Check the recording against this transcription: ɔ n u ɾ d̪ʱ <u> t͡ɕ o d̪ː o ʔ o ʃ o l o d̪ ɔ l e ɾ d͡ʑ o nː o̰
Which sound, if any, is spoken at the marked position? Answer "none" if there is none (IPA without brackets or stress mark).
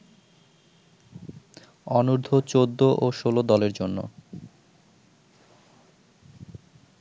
o